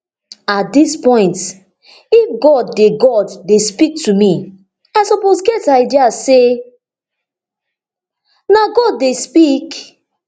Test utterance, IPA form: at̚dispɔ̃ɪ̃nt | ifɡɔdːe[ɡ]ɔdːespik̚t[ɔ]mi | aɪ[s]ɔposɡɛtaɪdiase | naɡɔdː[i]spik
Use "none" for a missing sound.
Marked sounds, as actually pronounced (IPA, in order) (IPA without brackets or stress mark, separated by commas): ɡ, u, s, e